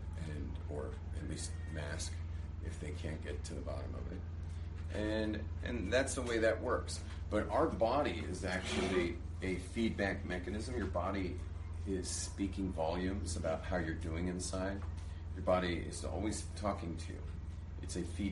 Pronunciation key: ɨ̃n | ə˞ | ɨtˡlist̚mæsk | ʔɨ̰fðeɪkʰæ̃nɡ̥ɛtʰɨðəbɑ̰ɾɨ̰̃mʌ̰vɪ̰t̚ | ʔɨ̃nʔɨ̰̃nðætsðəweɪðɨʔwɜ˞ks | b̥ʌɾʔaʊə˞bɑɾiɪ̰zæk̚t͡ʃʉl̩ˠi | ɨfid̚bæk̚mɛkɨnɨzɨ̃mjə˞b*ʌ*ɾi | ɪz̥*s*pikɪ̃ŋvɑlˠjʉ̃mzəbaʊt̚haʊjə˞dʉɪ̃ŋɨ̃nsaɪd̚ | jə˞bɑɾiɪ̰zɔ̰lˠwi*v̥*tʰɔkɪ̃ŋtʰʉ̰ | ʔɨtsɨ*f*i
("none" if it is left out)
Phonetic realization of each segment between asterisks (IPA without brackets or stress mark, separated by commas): ɑ, s, z̥, f